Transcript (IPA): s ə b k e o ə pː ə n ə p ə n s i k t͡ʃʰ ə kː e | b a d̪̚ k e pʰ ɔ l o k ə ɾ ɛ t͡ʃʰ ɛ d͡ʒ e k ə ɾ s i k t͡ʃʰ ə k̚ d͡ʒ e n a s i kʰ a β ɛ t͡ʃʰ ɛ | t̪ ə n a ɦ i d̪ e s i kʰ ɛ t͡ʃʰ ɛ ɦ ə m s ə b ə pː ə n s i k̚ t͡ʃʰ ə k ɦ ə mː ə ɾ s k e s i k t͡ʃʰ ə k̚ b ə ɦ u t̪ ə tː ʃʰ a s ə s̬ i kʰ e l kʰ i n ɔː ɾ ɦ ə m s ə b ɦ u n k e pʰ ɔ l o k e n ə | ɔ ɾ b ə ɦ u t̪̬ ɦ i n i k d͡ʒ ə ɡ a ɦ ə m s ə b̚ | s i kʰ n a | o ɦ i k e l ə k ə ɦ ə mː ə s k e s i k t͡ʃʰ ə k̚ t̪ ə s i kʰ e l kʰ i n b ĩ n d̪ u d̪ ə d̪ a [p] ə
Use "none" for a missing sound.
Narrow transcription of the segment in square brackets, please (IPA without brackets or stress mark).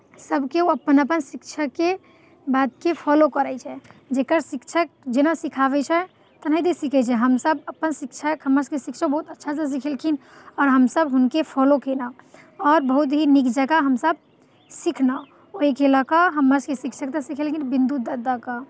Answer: k